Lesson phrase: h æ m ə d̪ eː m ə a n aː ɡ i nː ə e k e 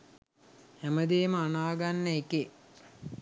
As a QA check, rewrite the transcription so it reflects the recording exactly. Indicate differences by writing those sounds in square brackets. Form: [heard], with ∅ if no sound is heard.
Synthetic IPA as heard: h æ m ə d̪ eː m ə a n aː ɡ [a] nː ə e k e